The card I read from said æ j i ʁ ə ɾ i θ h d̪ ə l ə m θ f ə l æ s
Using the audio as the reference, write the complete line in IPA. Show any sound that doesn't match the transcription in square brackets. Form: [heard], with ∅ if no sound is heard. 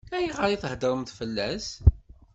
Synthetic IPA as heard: æ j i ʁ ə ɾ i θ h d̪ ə [ɾ] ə m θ f ə [lː] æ s